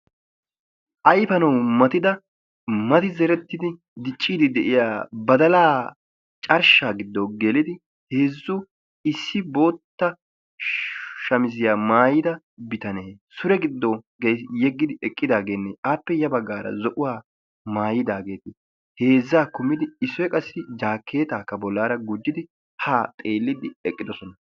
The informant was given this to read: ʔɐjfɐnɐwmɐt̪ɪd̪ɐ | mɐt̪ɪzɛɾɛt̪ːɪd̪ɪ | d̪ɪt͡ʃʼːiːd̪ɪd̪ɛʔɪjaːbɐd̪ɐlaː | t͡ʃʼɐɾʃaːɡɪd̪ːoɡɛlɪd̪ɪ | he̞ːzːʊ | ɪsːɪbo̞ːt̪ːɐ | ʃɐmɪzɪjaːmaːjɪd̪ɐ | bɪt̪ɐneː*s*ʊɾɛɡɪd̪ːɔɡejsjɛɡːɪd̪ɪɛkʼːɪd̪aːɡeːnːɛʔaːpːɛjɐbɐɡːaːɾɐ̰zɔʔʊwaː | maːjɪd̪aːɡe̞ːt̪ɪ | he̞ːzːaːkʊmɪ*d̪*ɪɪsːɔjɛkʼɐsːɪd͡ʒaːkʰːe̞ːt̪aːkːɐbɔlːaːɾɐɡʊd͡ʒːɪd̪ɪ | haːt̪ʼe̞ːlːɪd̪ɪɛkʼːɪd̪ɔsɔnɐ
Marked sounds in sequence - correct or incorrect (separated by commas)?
correct, correct